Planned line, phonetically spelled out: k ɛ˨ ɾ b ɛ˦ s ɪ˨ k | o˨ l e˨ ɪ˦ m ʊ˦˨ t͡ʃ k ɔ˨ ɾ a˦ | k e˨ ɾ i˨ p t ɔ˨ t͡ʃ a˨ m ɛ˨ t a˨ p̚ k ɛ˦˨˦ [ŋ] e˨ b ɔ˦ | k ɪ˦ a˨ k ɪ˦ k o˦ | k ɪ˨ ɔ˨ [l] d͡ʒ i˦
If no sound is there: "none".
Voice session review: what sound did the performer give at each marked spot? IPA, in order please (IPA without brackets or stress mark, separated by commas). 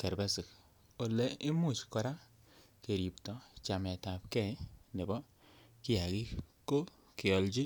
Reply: n, l